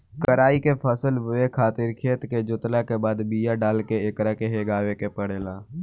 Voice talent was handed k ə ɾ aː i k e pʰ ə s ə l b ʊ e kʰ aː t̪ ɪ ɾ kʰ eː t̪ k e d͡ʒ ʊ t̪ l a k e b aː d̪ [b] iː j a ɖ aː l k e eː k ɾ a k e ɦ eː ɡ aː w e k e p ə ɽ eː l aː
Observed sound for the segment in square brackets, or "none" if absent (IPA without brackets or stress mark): b